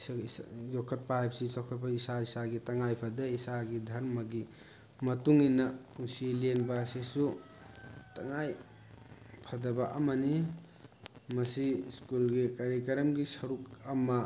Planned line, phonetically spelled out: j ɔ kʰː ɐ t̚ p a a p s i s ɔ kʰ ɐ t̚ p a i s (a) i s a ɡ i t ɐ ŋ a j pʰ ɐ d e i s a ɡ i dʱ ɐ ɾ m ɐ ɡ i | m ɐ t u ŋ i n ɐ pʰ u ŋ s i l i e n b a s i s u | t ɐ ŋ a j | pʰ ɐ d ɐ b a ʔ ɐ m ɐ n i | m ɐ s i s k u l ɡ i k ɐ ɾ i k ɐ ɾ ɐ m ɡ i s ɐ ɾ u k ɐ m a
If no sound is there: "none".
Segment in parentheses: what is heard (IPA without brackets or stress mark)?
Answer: a